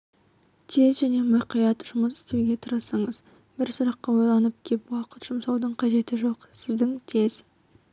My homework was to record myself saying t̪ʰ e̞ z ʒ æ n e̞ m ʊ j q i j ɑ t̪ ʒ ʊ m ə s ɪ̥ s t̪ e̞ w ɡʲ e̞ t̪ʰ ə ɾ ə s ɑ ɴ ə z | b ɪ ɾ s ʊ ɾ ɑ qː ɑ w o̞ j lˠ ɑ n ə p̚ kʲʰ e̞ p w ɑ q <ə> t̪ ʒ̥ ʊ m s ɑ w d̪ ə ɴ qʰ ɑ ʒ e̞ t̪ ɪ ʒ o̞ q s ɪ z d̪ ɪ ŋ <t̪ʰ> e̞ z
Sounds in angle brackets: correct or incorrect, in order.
correct, correct

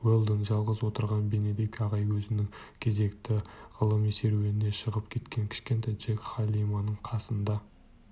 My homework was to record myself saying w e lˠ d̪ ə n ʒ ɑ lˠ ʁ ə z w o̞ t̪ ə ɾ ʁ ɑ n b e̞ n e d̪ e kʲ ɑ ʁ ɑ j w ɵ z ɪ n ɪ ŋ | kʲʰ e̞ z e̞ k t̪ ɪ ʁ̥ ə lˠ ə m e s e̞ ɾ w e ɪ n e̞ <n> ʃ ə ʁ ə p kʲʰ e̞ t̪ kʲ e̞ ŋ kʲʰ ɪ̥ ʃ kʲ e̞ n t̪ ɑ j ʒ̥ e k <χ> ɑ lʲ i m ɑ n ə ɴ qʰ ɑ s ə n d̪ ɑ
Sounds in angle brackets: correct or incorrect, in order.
incorrect: none, correct

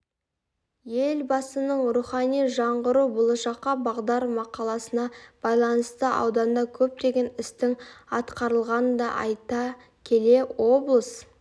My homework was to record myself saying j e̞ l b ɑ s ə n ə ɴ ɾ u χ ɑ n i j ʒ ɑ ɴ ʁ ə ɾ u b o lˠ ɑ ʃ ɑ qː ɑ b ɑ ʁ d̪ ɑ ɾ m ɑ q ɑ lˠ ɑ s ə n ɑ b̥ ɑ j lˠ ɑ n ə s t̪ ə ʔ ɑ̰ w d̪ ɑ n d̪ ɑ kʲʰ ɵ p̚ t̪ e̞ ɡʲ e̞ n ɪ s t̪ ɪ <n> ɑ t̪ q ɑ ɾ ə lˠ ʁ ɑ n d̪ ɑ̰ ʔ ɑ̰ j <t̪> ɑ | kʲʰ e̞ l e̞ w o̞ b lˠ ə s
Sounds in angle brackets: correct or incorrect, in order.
incorrect: ŋ, correct

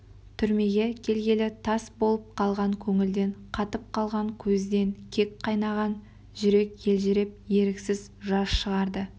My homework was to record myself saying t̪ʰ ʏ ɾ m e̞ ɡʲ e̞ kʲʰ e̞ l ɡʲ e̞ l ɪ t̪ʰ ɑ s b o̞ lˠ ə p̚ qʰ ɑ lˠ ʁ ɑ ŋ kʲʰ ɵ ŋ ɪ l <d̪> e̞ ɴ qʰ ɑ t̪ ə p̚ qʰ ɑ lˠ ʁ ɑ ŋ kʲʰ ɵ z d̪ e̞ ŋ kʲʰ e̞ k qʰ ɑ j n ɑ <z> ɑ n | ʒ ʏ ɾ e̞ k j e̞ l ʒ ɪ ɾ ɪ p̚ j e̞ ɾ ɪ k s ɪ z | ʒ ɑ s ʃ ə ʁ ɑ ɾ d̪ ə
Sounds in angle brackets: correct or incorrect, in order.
correct, incorrect: ʁ

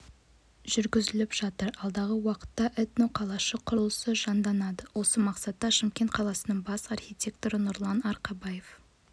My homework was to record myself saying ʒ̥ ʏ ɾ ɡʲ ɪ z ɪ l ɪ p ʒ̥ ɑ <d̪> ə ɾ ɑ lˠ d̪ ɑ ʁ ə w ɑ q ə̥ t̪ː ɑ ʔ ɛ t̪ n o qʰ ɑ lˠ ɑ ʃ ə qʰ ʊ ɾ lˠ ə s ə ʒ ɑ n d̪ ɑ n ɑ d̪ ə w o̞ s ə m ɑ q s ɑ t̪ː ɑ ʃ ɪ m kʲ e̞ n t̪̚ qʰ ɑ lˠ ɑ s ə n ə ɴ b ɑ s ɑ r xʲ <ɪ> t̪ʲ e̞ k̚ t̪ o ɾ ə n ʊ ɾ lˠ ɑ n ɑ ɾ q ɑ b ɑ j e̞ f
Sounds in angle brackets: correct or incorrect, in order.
incorrect: t̪, incorrect: i

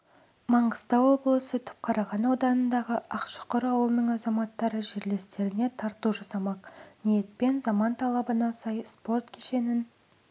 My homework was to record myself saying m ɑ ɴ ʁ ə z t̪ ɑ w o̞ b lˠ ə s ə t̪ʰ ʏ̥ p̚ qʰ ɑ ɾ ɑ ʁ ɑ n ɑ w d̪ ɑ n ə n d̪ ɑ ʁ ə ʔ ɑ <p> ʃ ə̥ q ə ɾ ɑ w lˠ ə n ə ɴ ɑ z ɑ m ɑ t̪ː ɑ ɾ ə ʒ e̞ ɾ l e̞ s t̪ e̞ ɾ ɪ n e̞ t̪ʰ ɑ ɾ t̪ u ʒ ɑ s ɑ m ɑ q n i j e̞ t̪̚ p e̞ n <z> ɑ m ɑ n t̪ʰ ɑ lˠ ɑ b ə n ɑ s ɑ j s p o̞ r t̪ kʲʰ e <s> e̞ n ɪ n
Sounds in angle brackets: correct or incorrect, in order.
incorrect: q, correct, incorrect: ʃ

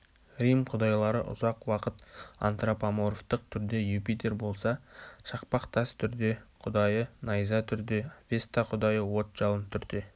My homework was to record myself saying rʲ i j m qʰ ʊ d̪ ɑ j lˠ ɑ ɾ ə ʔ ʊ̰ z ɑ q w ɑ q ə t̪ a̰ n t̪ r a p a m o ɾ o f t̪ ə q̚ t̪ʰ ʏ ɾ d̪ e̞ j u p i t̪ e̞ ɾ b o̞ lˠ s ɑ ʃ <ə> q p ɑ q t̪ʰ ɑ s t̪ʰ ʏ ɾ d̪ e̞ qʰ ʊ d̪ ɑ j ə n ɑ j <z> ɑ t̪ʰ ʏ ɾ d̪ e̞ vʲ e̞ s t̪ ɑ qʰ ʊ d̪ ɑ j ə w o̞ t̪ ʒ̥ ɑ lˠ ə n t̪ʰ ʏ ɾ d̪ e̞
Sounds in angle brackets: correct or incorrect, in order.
incorrect: ɑ, correct

